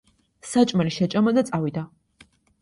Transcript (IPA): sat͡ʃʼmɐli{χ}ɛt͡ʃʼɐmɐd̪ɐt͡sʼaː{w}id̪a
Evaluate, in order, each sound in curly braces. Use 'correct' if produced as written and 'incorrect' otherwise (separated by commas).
incorrect, correct